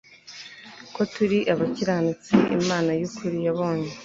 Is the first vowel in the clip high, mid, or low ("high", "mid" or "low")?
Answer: mid